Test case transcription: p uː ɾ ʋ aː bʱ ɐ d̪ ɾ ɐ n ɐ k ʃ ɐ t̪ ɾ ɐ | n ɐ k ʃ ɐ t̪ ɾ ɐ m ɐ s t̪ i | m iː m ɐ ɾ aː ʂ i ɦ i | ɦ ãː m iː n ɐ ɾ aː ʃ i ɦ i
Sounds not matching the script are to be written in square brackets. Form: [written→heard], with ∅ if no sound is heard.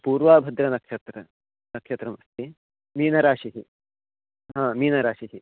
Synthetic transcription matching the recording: p uː ɾ ʋ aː bʱ ɐ d̪ ɾ ɐ n ɐ k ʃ ɐ t̪ ɾ ɐ | n ɐ k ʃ ɐ t̪ ɾ ɐ m ɐ s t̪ i | m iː [m→n] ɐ ɾ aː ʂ i ɦ i | ɦ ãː m iː n ɐ ɾ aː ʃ i ɦ i